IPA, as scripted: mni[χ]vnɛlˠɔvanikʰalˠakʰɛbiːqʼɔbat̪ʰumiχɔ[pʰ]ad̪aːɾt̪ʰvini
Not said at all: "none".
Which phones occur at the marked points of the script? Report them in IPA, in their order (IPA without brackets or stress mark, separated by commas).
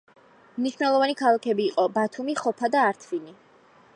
ʃ, pʰ